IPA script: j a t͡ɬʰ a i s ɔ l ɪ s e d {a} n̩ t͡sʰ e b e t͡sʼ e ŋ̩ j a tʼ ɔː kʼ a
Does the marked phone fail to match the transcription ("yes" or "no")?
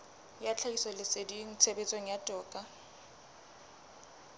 yes